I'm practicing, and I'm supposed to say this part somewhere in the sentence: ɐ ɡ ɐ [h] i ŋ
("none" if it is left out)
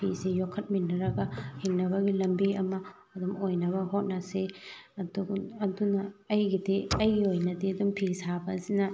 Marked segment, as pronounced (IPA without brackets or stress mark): h